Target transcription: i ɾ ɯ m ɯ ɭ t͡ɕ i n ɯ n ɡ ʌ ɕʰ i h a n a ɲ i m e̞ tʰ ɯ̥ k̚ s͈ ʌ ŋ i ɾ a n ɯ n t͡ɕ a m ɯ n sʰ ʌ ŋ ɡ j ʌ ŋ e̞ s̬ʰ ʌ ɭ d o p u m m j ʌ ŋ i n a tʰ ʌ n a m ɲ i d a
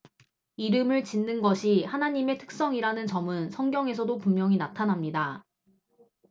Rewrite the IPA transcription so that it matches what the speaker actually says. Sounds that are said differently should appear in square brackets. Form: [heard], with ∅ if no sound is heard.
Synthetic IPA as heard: i ɾ ɯ m ɯ ɭ t͡ɕ i [nː] ɯ n ɡ ʌ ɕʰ i h a n a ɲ i m e̞ tʰ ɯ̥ k̚ s͈ ʌ ŋ i ɾ a n ɯ n t͡ɕ [ʌ] m ɯ n sʰ ʌ ŋ ɡ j ʌ ŋ e̞ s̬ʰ ʌ [∅] d o p u m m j ʌ ŋ i n a tʰ [a] n a m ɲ i d a